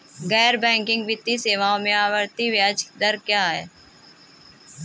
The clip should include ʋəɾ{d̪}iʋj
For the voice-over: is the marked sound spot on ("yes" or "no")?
no